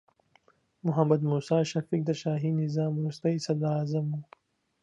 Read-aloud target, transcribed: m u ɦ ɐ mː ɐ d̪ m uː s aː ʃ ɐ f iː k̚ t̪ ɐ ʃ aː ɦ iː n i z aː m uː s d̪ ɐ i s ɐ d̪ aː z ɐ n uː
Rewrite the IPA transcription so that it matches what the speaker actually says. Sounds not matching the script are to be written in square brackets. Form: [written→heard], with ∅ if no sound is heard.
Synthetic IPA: m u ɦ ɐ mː ɐ d̪ m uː s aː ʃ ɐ f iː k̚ [t̪→d̪] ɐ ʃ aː ɦ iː n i z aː m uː s [d̪→t̪] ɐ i s ɐ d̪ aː z ɐ [n→m] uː